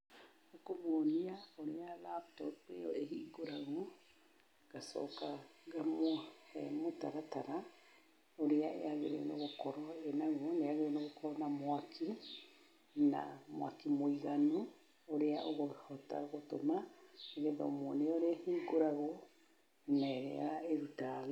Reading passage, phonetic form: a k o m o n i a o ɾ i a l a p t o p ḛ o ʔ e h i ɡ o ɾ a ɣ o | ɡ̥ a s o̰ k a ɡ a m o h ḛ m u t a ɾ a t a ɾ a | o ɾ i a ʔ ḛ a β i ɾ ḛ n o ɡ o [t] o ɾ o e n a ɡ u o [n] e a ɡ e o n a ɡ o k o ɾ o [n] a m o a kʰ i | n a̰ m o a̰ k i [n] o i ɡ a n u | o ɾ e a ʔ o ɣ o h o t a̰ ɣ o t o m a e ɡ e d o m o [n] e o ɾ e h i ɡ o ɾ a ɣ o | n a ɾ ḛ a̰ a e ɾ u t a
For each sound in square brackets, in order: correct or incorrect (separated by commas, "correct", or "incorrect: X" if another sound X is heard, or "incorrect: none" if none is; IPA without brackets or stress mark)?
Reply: incorrect: k, correct, correct, incorrect: m, correct